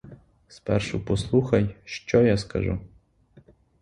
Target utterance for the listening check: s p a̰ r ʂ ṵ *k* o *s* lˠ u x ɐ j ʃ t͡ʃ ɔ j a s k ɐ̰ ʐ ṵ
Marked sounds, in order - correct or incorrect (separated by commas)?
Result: incorrect, correct